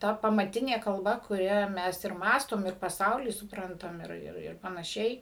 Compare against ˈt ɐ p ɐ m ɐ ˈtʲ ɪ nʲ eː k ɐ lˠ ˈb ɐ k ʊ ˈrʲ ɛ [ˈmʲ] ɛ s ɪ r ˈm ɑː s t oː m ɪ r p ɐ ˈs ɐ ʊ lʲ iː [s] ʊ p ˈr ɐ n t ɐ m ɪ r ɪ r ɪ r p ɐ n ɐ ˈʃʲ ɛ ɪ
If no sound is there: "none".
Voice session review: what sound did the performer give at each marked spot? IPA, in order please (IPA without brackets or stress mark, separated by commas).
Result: mʲ, s